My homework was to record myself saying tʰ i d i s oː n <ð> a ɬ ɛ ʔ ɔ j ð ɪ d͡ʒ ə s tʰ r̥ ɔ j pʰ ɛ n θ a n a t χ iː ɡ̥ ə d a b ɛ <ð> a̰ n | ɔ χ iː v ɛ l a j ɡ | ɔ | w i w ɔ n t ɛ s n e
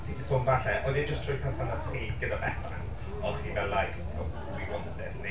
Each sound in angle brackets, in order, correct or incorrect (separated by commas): incorrect, incorrect